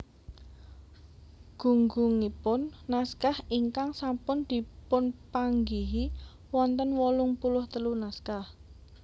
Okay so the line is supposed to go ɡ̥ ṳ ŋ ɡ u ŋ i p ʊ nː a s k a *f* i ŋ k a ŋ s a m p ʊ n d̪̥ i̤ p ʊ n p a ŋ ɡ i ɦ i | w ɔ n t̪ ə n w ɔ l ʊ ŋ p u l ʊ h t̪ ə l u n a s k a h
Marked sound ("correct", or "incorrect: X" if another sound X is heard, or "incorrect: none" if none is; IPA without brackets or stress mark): incorrect: h